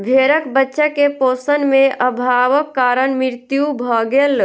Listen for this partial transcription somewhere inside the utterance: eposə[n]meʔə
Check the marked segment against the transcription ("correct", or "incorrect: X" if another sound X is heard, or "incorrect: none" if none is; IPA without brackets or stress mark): correct